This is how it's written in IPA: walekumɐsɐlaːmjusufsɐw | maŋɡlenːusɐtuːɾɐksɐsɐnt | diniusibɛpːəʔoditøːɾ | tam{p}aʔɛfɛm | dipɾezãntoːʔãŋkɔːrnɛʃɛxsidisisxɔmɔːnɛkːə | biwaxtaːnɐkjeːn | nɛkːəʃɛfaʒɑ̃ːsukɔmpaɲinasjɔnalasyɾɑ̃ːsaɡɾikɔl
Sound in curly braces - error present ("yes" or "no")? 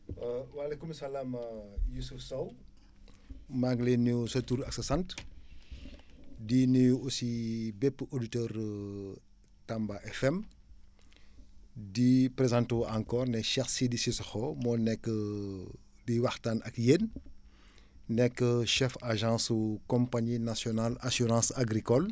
yes